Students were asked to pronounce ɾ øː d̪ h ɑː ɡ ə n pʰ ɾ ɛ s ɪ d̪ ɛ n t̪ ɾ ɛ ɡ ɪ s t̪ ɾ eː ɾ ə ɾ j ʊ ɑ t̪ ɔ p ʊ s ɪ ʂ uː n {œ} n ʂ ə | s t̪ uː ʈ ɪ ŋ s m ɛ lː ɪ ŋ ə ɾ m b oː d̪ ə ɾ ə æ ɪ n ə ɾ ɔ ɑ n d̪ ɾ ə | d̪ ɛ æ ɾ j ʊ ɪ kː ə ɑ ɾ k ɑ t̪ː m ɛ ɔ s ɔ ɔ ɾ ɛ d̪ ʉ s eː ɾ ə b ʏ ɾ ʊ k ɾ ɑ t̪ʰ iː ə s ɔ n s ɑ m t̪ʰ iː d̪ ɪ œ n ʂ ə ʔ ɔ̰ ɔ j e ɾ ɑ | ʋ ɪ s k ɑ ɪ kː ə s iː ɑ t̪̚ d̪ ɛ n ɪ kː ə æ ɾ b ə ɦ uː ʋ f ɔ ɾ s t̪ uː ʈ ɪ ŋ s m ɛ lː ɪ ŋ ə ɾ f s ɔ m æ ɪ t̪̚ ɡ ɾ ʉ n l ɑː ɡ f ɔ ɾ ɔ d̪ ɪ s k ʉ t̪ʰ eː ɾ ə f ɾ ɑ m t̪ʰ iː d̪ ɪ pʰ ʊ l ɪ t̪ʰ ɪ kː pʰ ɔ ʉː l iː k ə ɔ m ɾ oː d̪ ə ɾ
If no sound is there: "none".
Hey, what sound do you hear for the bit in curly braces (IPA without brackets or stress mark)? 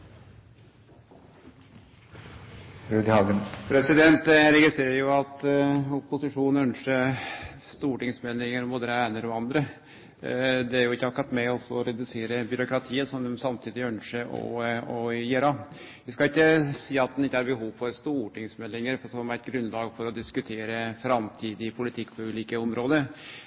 œ